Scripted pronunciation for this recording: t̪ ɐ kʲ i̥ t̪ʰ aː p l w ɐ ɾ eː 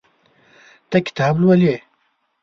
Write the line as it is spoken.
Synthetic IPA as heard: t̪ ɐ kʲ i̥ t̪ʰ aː b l w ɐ l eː